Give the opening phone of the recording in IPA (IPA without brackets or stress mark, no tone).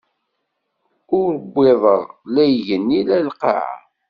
ʊ